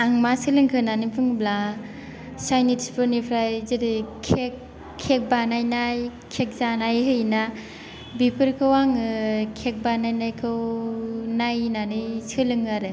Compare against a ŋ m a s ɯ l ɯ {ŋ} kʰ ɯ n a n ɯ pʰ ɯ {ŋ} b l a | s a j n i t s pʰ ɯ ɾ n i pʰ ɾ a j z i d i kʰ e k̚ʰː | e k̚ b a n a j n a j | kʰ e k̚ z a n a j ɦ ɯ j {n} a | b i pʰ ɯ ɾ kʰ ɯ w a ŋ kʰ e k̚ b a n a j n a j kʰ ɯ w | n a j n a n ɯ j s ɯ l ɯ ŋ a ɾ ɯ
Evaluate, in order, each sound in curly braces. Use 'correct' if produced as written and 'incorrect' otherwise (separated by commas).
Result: correct, correct, correct